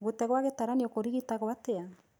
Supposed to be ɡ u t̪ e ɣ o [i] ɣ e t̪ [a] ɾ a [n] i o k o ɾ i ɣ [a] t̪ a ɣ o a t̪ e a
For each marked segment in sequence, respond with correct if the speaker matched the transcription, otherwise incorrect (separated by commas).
incorrect, correct, correct, incorrect